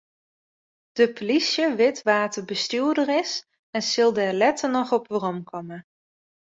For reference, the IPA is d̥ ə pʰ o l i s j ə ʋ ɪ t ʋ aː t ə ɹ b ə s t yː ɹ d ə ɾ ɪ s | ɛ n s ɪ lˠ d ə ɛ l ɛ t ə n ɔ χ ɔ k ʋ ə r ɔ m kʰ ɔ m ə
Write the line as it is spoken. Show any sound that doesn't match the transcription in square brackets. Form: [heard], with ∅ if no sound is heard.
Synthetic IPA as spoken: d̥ ə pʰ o l i s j ə ʋ ɪ t ʋ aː t ə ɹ b ə s t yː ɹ d ə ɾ ɪ s | ɛ n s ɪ lˠ d ə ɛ l ɛ t ə n ɔ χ ɔ [p] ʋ ə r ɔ m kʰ ɔ m ə